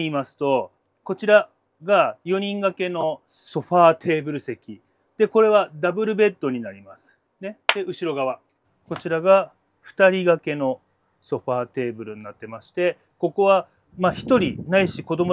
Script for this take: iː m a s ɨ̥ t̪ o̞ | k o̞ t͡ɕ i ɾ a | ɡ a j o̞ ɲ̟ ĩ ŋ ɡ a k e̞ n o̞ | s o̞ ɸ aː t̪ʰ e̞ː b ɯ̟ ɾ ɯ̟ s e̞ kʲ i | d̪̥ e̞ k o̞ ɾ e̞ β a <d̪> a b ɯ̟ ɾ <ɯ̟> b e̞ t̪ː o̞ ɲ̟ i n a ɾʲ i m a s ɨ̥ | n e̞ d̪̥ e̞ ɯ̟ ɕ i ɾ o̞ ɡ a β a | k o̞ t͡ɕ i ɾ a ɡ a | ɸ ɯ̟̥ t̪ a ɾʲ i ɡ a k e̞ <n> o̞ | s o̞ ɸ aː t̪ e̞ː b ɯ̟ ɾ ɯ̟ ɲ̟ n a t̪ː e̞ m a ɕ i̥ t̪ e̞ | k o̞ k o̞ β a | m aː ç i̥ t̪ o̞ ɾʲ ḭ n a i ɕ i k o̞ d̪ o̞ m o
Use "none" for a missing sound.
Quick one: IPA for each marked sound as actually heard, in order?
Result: d̪, ɯ̟, n

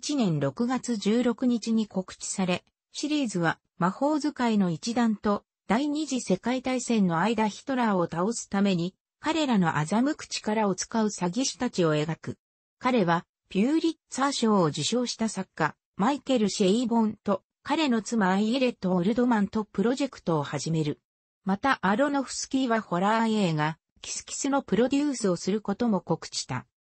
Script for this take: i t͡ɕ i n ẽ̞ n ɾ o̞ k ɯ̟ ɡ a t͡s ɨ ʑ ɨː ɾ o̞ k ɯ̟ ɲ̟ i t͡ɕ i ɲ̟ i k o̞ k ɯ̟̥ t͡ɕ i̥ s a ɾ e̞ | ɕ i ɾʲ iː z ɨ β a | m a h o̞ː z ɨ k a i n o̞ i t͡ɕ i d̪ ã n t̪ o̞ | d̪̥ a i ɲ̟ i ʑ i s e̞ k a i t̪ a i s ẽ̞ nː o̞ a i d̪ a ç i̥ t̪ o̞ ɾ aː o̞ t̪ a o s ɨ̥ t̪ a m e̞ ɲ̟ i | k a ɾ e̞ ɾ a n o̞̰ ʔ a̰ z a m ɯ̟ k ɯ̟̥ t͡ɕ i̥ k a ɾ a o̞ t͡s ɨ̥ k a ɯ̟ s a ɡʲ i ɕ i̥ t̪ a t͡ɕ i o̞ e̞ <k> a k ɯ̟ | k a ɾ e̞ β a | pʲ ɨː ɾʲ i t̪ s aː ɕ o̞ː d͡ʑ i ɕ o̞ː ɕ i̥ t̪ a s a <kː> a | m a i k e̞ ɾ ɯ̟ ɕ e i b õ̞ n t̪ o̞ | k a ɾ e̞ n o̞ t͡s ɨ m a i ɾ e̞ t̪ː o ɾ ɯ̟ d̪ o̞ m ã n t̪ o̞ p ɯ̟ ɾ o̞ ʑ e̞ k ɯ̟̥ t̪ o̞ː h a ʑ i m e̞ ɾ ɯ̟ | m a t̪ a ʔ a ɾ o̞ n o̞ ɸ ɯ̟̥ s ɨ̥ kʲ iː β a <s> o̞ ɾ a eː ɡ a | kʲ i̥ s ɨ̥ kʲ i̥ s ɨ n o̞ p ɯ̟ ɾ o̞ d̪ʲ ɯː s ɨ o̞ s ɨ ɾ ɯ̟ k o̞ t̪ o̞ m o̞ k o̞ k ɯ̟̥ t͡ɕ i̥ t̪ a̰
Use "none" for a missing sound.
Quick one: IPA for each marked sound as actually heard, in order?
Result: ɡ, kː, h

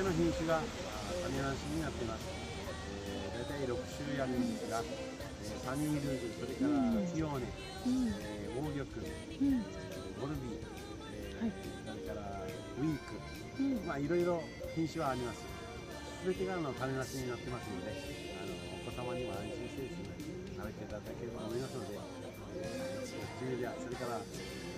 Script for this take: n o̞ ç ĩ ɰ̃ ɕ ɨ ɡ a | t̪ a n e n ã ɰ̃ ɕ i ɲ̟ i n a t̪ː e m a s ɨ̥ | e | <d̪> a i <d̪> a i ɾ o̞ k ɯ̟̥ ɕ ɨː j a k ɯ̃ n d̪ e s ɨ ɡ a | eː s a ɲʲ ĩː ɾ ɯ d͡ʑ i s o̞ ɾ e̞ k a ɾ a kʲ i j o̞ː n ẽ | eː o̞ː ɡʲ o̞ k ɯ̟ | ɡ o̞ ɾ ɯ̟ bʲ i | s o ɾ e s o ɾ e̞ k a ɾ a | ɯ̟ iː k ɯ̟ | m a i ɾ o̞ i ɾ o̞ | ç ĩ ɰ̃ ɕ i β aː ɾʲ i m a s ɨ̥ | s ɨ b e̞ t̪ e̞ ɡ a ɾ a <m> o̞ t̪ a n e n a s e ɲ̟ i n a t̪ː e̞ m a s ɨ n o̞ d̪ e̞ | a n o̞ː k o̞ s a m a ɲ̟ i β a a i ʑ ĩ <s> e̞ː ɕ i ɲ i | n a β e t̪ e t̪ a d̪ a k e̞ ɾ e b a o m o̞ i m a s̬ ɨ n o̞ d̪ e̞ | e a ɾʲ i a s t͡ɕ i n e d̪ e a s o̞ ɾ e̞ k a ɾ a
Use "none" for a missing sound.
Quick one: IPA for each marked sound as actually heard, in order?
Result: d̪, t̪, n, s

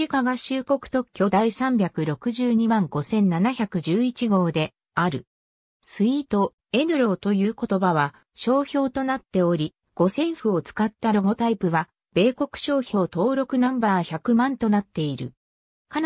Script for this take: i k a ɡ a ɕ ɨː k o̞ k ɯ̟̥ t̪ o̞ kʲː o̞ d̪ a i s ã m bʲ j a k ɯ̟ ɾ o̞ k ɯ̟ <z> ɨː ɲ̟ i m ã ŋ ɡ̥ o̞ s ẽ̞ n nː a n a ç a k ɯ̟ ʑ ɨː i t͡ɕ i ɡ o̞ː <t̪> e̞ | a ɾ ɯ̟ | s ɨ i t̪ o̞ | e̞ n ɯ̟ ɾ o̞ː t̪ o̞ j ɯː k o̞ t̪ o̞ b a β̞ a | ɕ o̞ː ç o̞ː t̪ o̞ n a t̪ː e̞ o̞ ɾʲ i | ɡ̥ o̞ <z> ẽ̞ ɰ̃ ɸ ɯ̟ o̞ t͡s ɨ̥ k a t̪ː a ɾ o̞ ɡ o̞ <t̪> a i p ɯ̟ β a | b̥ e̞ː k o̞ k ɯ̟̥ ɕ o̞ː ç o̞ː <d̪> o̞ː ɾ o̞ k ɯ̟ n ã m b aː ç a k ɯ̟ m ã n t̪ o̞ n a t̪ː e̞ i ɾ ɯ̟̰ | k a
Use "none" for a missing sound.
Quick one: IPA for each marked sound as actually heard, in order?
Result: ʑ, d̪, s, t̪, t̪

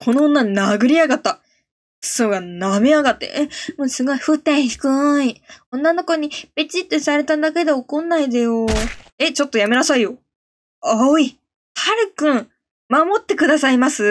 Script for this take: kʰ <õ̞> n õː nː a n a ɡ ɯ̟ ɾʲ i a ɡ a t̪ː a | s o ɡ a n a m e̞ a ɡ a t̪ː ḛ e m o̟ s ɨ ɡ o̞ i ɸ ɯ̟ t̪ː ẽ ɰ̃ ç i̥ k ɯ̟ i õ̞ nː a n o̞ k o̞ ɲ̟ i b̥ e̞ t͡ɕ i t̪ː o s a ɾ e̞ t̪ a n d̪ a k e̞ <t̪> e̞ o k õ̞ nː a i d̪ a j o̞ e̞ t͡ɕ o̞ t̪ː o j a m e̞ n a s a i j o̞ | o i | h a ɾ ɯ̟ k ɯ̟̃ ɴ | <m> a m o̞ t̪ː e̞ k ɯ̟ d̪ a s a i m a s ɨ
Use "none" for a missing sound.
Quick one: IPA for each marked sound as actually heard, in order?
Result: o̞, d̪, m

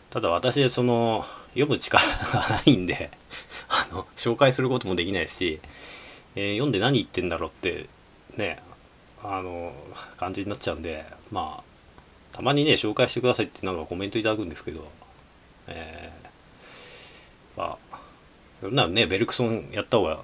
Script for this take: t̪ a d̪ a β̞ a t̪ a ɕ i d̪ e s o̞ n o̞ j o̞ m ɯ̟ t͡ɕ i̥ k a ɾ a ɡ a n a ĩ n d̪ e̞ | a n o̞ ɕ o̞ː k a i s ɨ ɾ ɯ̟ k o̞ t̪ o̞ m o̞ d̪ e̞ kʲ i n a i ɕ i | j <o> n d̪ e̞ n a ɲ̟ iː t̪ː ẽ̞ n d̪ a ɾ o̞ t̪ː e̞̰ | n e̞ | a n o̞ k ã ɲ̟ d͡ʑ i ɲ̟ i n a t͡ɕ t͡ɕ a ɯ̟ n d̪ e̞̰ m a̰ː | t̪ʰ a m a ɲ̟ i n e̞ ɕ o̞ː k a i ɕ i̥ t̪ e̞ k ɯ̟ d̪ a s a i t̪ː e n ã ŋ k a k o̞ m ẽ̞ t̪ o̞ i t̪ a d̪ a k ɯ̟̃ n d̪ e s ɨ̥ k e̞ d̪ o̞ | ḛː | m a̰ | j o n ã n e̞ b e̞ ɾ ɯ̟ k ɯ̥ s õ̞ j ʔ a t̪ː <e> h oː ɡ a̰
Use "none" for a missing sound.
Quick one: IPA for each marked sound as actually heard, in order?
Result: õ, a

